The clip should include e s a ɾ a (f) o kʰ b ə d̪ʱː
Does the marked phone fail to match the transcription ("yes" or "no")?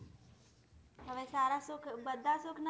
yes